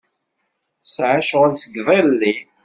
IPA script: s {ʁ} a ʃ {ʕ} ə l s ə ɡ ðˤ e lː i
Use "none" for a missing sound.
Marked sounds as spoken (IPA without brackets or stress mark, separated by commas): ʕ, ʁ